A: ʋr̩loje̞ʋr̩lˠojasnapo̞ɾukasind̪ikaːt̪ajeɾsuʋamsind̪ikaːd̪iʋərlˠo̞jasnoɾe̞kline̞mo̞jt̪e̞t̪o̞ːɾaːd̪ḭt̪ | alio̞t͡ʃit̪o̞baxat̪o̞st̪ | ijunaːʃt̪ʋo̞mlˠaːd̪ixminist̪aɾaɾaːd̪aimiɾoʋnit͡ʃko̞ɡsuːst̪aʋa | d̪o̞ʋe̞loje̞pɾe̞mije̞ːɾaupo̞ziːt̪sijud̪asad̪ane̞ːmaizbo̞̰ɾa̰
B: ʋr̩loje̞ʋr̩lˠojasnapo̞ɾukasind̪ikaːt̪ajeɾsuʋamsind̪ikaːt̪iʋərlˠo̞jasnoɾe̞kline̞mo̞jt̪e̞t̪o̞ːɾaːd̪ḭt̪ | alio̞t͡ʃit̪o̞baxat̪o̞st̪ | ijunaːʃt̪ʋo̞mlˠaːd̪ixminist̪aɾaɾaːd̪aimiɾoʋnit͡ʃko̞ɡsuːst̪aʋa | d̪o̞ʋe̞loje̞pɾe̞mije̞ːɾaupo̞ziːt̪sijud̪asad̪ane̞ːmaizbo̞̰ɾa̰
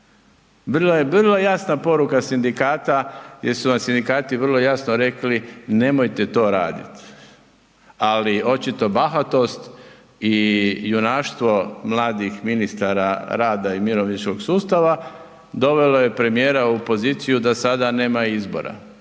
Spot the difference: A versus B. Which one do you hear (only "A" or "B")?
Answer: B